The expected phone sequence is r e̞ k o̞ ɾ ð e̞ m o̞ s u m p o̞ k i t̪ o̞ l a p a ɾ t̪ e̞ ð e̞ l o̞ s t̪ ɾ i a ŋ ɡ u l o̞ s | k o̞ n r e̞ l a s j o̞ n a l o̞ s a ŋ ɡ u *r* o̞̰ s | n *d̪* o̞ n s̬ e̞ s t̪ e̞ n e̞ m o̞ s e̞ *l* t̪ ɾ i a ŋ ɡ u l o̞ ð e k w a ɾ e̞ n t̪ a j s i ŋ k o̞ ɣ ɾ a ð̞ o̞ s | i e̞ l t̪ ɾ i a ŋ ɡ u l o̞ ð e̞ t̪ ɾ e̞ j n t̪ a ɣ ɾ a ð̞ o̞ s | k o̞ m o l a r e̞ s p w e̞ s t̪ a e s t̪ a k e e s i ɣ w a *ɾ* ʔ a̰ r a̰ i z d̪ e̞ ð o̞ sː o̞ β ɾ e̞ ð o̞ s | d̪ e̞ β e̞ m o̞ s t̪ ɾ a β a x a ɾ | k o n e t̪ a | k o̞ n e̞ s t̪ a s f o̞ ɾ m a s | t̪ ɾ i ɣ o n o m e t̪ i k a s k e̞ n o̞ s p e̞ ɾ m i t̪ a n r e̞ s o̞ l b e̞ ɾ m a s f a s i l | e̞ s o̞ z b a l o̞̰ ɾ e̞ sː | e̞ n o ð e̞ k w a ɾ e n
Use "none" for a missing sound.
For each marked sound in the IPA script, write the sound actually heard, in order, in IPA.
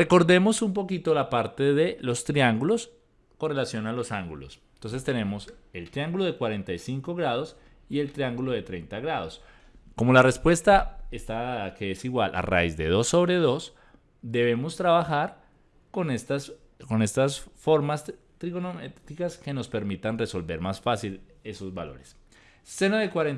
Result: l, t̪, l, l

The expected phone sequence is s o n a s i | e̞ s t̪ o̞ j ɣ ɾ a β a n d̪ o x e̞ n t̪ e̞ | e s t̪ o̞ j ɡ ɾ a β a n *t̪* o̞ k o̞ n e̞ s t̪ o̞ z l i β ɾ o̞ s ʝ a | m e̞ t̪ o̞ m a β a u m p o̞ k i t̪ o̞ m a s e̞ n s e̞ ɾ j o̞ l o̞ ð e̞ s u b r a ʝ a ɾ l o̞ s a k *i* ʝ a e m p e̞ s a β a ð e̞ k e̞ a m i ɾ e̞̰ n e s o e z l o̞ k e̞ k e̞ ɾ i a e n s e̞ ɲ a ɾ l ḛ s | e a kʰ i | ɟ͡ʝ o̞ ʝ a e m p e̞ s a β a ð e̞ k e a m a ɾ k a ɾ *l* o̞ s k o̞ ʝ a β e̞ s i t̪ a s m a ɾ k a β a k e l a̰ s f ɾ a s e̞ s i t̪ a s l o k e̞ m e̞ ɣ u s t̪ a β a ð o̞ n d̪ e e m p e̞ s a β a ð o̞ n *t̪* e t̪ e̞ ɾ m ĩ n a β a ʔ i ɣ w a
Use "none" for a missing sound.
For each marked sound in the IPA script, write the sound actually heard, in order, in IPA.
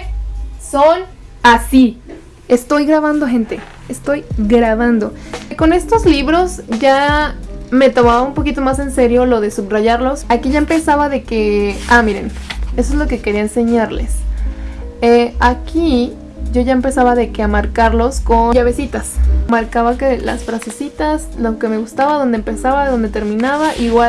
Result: d̪, i, l, d̪

